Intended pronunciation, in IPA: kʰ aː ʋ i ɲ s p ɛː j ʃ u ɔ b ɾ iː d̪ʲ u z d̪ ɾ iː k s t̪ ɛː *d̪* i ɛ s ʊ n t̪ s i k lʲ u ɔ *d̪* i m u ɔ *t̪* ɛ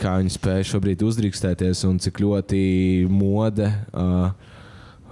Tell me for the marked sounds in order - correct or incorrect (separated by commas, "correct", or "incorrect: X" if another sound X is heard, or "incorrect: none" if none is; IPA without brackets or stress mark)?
incorrect: t̪, incorrect: t̪, incorrect: d̪